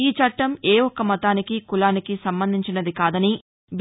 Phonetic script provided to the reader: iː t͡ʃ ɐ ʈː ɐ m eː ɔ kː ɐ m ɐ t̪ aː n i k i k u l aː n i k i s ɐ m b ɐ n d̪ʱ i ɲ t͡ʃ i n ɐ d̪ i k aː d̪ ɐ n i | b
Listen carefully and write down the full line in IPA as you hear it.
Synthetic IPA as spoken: iː t͡ʃ ɐ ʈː ɐ m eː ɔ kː ɐ m ɐ t̪ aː n i k i k u l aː n i k i s ɐ m b ɐ n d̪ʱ i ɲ t͡ʃ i n ɐ d̪ i k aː d̪ ɐ n i | b